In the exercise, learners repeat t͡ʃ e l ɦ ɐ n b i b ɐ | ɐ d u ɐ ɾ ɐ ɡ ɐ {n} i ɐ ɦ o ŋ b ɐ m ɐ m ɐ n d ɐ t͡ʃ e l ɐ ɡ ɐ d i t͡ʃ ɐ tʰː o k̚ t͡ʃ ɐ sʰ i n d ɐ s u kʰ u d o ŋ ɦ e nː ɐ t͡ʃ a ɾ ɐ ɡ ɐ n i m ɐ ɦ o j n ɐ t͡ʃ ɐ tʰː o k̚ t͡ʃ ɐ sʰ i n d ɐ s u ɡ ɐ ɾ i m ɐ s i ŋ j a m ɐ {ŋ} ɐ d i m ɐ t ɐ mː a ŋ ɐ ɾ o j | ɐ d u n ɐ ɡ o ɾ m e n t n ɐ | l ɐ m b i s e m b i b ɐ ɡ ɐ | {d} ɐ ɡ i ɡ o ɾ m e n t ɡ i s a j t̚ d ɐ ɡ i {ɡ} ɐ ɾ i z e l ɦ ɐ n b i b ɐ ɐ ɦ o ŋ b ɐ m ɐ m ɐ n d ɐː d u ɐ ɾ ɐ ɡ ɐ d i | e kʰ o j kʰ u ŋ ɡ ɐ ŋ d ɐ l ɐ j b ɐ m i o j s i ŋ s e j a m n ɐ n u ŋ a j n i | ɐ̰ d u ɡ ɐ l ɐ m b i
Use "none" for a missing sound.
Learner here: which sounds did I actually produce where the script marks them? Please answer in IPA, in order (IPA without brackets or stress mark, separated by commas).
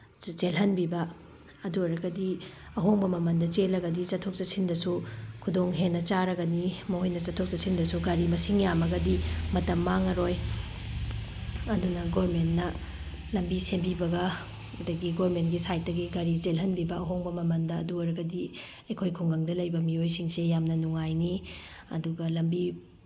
d, ɡ, d, ɡ